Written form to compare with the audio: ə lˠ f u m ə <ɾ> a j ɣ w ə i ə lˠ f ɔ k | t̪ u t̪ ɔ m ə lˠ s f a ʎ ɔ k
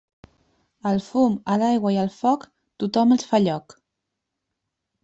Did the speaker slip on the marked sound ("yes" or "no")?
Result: yes